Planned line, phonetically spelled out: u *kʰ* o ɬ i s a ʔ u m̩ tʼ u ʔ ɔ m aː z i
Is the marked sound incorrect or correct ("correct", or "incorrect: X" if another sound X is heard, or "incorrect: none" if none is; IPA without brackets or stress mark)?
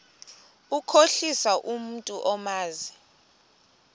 correct